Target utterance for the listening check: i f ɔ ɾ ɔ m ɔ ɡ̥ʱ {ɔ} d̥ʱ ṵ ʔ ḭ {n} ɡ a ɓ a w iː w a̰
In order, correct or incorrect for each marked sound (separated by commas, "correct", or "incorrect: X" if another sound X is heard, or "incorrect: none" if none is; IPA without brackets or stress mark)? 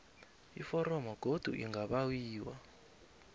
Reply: incorrect: o, incorrect: ŋ